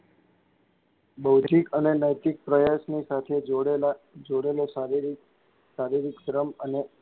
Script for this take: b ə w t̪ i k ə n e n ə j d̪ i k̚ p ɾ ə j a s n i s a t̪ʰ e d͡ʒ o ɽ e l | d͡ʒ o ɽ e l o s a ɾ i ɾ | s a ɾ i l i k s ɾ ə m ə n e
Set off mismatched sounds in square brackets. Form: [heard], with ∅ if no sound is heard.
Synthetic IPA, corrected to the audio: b ə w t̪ i k ə n e n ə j [t̪] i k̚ p ɾ ə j a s n i s a t̪ʰ e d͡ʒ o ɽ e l | d͡ʒ o ɽ e l o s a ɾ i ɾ | s a ɾ i [ɾ] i k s ɾ ə m ə n e